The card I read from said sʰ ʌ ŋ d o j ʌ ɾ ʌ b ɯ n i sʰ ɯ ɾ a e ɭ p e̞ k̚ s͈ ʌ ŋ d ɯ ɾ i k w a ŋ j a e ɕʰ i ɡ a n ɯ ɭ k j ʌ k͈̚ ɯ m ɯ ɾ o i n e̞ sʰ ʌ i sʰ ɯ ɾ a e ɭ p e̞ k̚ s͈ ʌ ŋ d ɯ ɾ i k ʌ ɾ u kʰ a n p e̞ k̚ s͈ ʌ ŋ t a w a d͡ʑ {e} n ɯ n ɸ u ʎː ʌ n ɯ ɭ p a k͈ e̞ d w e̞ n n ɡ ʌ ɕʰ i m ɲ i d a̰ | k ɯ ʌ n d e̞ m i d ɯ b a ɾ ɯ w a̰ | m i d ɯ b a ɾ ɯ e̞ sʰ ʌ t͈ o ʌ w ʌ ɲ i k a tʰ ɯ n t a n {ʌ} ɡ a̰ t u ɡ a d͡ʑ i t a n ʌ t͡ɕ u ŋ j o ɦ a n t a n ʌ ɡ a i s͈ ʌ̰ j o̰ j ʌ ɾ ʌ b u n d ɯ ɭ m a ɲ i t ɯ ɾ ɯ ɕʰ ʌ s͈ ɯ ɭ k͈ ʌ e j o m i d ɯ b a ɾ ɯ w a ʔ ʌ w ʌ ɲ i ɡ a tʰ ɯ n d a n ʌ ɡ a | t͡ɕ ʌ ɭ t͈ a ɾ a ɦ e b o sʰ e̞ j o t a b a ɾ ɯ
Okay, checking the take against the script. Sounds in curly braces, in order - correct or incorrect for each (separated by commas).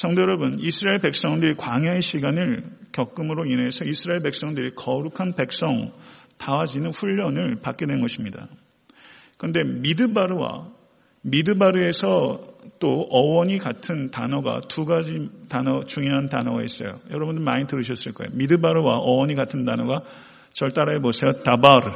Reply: incorrect, correct